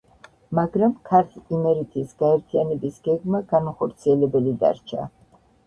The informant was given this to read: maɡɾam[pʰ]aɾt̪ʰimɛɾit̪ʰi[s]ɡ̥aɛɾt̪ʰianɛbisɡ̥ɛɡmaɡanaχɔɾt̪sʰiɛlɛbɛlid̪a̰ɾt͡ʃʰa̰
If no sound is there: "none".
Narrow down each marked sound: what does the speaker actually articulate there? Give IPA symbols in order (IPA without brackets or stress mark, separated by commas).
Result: kʰ, s